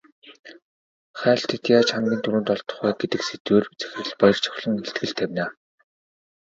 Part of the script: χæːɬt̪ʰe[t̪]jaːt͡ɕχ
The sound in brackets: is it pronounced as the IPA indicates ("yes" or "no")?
yes